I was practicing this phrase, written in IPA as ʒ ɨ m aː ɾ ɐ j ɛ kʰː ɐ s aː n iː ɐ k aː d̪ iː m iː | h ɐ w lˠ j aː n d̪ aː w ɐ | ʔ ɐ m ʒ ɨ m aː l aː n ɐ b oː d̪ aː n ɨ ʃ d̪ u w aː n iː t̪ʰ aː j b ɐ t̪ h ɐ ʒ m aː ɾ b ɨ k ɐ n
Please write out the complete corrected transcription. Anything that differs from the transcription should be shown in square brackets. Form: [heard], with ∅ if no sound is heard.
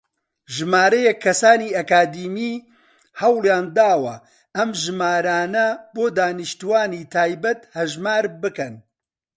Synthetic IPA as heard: ʒ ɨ m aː ɾ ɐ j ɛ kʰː ɐ s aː n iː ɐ k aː d̪ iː m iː | h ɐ w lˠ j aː n d̪ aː w ɐ | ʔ ɐ m ʒ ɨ m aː [ɾ] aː n ɐ b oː d̪ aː n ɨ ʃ [t̪] u w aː n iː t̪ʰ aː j b ɐ t̪ h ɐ ʒ m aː ɾ b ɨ k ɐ n

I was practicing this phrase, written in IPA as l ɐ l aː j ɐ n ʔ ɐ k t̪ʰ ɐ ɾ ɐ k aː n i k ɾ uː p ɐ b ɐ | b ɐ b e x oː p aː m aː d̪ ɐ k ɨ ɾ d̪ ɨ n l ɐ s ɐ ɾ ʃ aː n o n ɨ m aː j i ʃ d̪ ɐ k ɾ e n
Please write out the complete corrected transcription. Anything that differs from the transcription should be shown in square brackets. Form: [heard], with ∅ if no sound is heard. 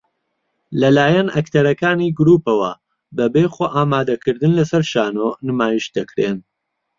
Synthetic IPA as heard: l ɐ l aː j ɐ n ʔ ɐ k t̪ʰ ɐ ɾ ɐ k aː n i [ɡ] ɾ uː p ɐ [w] ɐ | b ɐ b e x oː [ʔ] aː m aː d̪ ɐ k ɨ ɾ d̪ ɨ n l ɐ s ɐ ɾ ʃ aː n o n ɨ m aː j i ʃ d̪ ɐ k ɾ e n

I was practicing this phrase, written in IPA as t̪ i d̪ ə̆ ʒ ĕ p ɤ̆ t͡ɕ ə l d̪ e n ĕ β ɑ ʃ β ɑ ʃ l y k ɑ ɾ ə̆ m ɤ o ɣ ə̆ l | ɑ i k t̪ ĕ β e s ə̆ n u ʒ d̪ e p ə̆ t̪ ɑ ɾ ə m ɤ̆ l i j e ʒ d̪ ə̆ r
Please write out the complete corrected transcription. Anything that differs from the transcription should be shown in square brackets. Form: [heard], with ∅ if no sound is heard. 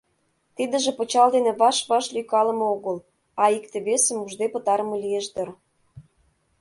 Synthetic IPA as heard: t̪ i d̪ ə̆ ʒ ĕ p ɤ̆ t͡ɕ [ɑ] l d̪ e n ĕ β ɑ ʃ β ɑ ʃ l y k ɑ [l] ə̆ m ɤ o ɣ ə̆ l | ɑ i k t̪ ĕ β e s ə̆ [m] u ʒ d̪ e p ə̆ t̪ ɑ ɾ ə m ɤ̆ l i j e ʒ d̪ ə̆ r

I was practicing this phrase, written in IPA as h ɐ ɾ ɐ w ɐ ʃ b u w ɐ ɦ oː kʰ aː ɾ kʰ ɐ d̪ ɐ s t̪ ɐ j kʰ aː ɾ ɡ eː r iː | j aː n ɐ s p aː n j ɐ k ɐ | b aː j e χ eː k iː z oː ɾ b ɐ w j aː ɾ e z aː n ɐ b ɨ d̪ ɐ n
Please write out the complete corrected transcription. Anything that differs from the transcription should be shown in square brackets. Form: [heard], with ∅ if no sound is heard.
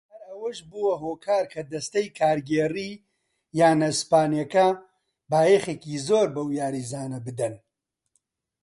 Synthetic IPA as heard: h ɐ ɾ ɐ w ɐ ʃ b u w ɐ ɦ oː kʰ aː ɾ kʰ ɐ d̪ ɐ s t̪ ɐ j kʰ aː ɾ ɡ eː r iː | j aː n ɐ s p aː n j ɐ k ɐ | b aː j e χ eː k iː z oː ɾ b ɐ w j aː ɾ [i] z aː n ɐ b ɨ d̪ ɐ n

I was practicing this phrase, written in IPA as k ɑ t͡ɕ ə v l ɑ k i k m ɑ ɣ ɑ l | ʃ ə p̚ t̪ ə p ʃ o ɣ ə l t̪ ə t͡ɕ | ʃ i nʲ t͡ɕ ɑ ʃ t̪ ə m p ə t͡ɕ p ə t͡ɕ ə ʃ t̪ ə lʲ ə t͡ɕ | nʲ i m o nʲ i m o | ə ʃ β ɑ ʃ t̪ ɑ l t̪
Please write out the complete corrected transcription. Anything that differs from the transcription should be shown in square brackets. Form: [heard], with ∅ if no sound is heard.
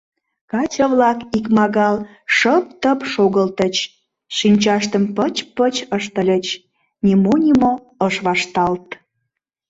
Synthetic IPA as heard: k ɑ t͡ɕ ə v l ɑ k i k m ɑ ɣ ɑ l | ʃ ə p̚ t̪ ə p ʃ o ɣ ə l t̪ ə t͡ɕ | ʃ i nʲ t͡ɕ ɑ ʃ t̪ ə m p ə t͡ɕ p ə t͡ɕ ə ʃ t̪ ə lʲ ə t͡ɕ | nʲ i m o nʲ i m o | ə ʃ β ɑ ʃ t̪ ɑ l t̪

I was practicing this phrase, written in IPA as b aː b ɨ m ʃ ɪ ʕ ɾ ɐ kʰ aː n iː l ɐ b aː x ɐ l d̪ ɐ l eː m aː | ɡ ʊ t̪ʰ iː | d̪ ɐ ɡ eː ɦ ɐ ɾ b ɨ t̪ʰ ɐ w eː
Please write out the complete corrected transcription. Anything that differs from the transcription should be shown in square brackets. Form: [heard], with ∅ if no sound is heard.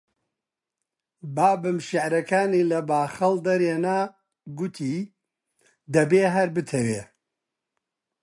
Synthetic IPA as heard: b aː b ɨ m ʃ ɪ ʕ ɾ ɐ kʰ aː n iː l ɐ b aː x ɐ l d̪ ɐ [ɾ] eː [n] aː | ɡ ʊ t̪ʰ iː | d̪ ɐ [b] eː ɦ ɐ ɾ b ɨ t̪ʰ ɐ w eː

